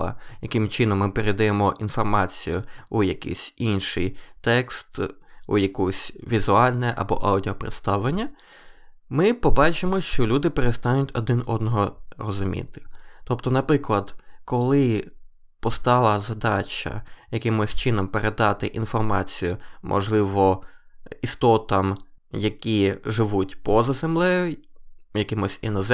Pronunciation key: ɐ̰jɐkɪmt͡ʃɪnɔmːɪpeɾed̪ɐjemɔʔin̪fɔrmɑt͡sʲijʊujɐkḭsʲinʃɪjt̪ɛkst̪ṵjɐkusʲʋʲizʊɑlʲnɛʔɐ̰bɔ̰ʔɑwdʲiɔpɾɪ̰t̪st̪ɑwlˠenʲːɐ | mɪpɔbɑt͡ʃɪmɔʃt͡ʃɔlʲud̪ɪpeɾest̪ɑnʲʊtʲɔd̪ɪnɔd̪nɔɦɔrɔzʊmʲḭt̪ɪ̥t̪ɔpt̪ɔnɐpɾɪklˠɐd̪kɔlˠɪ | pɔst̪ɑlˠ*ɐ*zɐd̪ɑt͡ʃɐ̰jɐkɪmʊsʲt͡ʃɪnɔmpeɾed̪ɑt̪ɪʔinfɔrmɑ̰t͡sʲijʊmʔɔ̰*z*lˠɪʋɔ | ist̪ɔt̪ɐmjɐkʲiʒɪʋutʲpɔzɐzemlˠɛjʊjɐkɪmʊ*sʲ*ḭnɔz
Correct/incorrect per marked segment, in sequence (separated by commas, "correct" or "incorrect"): correct, incorrect, correct